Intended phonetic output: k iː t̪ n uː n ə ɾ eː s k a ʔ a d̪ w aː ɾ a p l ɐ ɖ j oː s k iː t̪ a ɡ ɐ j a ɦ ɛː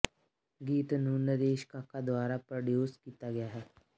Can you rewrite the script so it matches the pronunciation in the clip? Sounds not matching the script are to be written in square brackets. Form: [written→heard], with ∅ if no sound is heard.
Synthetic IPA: [k→ɡ] iː t̪ n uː n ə ɾ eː [s→ʃ] k a [ʔ→k] a d̪ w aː ɾ a p [l→ɾ] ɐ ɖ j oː s k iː t̪ a ɡ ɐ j a ɦ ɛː